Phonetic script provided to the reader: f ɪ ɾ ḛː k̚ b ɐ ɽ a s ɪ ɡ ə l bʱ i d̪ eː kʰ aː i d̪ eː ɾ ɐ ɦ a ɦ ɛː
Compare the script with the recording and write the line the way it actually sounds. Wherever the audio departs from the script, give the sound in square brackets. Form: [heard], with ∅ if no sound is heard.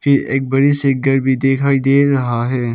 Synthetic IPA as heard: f ɪ ɾ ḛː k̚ b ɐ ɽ [i] s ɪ ɡ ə [ɾ] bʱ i d̪ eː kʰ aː i d̪ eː ɾ ɐ ɦ a ɦ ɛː